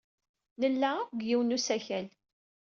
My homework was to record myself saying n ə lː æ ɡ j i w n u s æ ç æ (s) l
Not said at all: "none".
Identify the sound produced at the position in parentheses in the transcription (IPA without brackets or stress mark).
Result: none